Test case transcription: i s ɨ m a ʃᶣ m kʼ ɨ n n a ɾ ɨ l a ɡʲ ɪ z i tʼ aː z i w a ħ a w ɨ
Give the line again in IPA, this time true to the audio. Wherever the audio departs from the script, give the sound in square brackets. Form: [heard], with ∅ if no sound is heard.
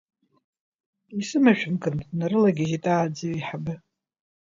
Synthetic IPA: i s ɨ m a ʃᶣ m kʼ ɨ n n a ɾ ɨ l a ɡʲ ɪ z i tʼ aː [d͡z] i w [i] ħ a [b] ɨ